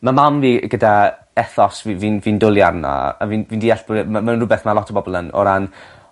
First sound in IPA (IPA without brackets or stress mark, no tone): m